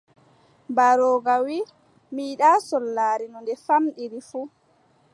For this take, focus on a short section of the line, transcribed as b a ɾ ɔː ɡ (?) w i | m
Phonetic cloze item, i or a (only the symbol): a